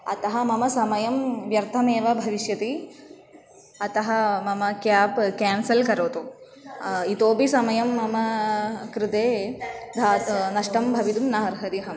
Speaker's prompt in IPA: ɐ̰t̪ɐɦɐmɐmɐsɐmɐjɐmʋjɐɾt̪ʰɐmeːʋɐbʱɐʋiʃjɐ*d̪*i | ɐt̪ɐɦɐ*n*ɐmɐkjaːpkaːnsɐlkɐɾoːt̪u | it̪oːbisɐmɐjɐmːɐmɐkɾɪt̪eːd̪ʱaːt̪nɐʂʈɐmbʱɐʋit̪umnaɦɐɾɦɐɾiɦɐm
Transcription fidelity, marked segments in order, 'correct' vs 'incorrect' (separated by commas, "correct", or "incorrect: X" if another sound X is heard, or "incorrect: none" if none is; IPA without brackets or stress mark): incorrect: t̪, incorrect: m